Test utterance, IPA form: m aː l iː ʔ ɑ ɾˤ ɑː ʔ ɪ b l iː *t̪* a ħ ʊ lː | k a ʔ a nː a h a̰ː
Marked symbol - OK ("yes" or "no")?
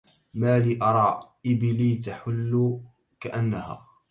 yes